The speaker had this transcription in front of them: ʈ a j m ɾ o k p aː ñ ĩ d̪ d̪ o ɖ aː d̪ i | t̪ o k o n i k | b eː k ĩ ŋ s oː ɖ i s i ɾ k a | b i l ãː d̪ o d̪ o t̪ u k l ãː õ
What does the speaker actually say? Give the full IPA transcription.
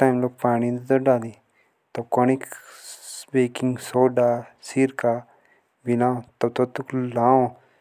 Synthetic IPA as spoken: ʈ a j m l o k p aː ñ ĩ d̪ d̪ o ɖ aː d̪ i | t̪ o k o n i k | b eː k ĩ ŋ s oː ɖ a s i ɾ k a | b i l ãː t̪ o t̪ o t̪ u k l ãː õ